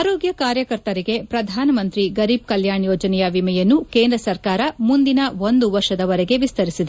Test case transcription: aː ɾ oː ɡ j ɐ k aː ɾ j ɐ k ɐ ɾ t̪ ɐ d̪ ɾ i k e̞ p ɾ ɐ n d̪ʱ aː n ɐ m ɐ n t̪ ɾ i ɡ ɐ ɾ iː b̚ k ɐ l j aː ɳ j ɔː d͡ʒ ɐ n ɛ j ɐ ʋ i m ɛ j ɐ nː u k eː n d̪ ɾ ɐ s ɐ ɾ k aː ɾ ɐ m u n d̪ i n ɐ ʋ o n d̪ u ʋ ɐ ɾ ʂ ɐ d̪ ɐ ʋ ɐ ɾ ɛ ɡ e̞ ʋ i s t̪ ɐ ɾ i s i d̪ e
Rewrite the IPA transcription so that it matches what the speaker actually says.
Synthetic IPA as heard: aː ɾ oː ɡ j ɐ k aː ɾ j ɐ k ɐ ɾ t̪ ɐ ɾ i ɡ e̞ p ɾ ɐ d̪ʱ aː n ɐ m ɐ n t̪ ɾ i ɡ ɐ ɾ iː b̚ k ɐ l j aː ɳ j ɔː d͡ʒ ɐ n ɛ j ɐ ʋ i m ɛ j ɐ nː u k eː n d̪ ɾ ɐ s ɐ ɾ k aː ɾ ɐ m u n d̪ i n ɐ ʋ o n d̪ u ʋ ɐ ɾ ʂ ɐ d̪ ɐ ʋ ɐ ɾ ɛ ɡ e̞ ʋ i s t̪ ɐ ɾ i s i d̪ e